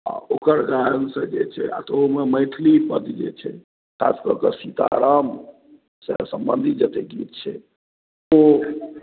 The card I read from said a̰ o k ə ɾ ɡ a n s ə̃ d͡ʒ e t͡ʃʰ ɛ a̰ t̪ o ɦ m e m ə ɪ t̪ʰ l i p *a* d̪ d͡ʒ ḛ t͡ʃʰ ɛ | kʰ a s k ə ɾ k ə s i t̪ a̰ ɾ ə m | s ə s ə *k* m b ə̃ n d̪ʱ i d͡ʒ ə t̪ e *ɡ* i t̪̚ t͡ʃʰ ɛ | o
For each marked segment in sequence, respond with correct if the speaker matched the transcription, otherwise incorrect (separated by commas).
incorrect, incorrect, correct